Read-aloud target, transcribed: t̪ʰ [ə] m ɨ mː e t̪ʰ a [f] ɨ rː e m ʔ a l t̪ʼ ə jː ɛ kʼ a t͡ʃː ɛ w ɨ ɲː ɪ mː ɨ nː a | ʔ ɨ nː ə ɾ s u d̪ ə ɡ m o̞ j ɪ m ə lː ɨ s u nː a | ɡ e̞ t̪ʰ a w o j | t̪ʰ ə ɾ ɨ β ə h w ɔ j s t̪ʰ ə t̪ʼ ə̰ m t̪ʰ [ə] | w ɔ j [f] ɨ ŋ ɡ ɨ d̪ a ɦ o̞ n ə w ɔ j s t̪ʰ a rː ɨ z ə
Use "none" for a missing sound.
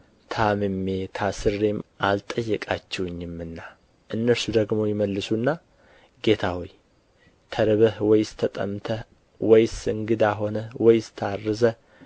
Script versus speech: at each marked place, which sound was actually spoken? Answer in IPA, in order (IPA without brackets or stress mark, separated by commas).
a, s, ə, s